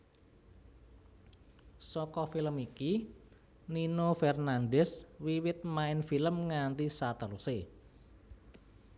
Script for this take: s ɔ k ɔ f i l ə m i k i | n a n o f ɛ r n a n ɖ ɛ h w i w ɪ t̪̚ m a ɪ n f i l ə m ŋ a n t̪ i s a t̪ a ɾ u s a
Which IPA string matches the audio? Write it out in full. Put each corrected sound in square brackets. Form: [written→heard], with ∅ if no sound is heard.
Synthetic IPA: s ɔ k ɔ f i l ə m i k i | n [a→i] n o f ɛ r n a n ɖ ɛ [h→s] w i w ɪ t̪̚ m a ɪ n f i l ə m ŋ a n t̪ i s a t̪ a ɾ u s [a→e]